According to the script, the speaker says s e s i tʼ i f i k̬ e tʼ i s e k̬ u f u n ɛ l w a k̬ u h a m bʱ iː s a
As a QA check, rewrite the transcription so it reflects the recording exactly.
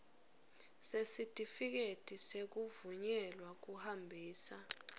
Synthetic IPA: s e s i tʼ i f i k̬ e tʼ i s e k̬ u v u ɲ ɛ l w a k̬ u h a m bʱ iː s a